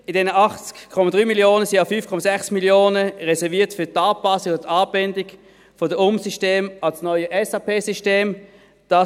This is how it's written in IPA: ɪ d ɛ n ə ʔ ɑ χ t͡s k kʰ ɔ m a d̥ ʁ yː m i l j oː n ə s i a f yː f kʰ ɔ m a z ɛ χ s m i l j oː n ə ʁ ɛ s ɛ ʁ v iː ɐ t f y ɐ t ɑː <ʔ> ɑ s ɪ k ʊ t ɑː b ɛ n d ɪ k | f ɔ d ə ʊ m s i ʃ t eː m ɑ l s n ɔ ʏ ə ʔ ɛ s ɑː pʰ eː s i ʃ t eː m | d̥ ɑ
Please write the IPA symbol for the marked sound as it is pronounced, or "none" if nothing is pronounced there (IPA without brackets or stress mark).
p